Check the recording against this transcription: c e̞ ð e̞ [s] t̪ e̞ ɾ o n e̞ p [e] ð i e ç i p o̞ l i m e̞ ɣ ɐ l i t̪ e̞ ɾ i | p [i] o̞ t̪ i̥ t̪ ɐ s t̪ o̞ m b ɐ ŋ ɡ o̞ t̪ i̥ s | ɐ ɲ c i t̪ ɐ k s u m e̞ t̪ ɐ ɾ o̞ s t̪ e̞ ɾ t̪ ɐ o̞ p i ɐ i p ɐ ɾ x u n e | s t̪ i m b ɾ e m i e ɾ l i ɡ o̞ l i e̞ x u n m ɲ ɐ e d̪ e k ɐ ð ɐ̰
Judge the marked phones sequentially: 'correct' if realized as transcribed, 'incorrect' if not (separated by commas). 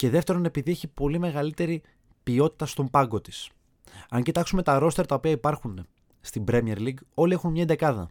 incorrect, incorrect, correct